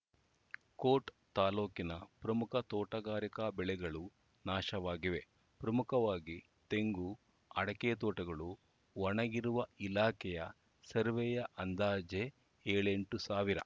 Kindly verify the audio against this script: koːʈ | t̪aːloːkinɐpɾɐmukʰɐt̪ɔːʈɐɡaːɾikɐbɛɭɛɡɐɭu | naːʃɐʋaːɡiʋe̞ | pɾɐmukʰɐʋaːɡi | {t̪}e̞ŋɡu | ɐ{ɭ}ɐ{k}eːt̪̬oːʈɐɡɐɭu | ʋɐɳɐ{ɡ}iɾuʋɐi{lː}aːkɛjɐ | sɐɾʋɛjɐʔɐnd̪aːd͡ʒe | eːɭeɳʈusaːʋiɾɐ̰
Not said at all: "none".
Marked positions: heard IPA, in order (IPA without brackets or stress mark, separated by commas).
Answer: t̪, ɽ, k, ɡ, l